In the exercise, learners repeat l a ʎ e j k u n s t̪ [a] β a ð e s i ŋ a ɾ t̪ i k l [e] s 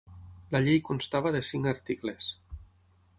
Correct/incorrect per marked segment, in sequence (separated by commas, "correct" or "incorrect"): correct, correct